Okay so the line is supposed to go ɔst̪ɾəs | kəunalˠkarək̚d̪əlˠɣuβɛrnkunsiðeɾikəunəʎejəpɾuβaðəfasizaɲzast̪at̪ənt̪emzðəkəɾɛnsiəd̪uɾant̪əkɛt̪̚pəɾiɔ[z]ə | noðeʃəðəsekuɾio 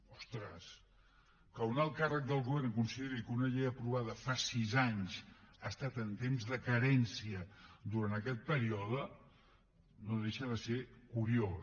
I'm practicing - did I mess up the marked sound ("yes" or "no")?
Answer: yes